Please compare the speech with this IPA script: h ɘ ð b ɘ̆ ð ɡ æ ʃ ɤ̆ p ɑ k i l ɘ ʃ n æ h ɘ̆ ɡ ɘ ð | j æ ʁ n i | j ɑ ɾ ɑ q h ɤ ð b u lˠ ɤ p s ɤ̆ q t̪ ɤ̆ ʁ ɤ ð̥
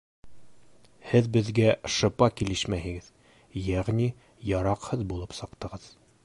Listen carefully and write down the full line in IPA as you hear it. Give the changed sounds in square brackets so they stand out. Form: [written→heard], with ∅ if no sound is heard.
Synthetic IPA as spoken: h ɘ ð b ɘ̆ ð ɡ æ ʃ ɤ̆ p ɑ k i l ɘ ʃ [n→m] æ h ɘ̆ ɡ ɘ ð | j æ ʁ n i | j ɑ ɾ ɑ q h ɤ ð b u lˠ ɤ p s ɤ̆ q t̪ ɤ̆ ʁ ɤ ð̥